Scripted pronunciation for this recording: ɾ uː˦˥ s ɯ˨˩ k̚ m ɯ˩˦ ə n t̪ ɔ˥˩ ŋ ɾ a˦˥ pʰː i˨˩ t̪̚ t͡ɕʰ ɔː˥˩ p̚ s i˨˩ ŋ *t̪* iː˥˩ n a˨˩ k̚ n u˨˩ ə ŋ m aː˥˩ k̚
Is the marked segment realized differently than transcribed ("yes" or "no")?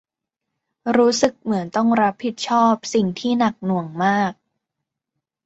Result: yes